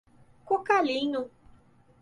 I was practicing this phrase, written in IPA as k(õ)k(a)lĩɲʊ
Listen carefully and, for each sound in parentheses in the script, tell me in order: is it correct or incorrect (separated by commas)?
incorrect, correct